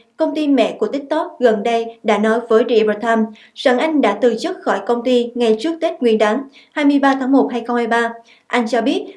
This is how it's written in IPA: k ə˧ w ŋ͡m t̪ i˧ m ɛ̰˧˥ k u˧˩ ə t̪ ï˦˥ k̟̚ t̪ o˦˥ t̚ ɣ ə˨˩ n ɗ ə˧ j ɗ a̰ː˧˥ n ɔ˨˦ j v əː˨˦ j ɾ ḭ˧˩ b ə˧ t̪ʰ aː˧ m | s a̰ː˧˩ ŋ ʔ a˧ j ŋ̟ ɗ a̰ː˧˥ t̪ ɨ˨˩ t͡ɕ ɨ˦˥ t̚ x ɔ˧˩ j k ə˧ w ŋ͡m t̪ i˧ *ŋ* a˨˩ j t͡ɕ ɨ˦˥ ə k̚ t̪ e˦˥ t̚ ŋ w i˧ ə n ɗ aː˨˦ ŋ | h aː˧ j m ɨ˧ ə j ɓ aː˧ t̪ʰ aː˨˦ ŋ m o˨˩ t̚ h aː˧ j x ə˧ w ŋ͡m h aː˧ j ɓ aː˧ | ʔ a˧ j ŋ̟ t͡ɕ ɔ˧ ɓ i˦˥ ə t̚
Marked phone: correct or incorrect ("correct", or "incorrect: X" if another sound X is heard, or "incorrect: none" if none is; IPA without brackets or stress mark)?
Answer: correct